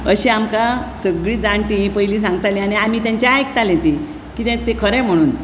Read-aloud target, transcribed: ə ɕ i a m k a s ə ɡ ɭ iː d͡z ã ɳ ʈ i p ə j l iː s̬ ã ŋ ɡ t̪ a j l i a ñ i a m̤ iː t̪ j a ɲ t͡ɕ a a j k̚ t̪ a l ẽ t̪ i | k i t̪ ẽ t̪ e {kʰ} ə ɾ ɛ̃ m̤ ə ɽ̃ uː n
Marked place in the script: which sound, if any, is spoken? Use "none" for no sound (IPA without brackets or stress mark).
kʰ